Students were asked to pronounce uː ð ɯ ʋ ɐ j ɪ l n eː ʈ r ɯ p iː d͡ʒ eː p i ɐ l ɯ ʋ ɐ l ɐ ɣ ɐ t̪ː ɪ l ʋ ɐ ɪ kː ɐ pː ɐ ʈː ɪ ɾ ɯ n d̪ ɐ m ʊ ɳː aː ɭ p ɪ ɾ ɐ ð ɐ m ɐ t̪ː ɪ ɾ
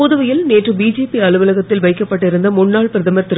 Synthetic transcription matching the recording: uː ð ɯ ʋ ɐ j ɪ l n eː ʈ r ɯ b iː d͡ʒ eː p i ɐ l ɯ ʋ ɐ l ɐ ɣ ɐ t̪ː ɪ l ʋ ɐ ɪ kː ɐ pː ɐ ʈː ɪ ɾ ɯ n d̪ ɐ m ʊ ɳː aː ɭ p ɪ ɾ ɐ ð ɐ m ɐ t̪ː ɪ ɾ